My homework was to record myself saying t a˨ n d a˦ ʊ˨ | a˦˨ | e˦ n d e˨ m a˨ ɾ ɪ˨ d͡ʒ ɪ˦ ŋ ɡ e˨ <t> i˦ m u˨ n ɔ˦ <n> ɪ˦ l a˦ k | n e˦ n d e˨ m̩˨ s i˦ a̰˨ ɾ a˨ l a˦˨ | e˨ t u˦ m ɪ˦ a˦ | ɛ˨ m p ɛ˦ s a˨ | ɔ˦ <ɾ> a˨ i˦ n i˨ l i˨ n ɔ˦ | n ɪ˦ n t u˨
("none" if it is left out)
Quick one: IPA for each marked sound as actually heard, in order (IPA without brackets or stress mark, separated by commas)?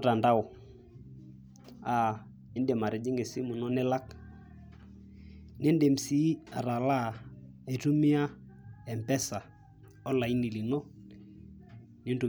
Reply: s, n, l